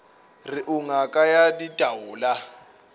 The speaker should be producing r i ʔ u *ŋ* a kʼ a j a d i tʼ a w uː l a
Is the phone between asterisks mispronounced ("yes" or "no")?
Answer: no